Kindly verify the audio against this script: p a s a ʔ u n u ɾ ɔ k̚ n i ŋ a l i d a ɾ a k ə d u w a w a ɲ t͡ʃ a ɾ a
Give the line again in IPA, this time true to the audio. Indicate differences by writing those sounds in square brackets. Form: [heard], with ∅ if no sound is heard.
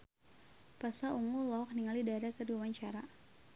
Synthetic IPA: p a s a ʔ u [ŋ] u [l] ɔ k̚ n i ŋ a l i d a ɾ a k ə d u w a w a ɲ t͡ʃ a ɾ a